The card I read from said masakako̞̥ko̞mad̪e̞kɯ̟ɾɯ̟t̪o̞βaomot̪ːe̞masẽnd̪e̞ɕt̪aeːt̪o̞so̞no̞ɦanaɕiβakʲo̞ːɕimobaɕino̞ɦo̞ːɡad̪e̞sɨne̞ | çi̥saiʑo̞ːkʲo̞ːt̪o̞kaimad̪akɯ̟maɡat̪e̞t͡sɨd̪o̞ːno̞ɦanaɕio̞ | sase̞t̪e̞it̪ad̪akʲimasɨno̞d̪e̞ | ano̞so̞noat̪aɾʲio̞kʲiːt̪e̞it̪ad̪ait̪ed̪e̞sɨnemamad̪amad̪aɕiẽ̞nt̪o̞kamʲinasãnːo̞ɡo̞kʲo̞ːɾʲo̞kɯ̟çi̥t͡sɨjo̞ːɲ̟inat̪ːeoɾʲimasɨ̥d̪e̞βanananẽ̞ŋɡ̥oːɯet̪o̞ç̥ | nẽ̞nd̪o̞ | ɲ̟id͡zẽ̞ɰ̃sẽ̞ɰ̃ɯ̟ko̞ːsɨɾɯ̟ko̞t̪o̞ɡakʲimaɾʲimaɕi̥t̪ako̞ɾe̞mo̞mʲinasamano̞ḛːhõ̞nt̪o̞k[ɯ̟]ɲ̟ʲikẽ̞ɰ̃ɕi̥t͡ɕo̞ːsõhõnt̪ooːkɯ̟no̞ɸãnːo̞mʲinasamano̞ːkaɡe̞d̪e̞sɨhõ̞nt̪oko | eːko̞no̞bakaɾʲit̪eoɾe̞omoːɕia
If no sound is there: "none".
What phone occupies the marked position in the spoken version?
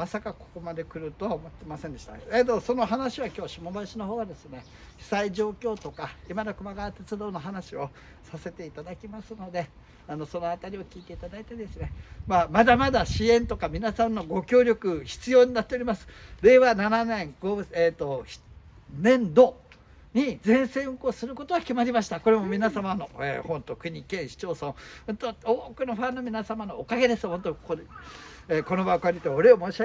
ɯ̟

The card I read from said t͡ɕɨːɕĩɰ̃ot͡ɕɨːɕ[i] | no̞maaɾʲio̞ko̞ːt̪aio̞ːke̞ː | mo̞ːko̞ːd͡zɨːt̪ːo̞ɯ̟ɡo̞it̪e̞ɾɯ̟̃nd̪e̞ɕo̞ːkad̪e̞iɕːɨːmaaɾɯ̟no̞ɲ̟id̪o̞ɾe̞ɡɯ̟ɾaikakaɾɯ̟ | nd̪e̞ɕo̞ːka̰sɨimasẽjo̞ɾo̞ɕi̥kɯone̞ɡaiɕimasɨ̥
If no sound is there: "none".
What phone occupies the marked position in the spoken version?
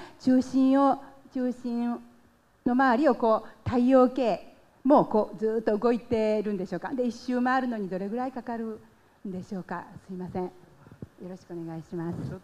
ĩ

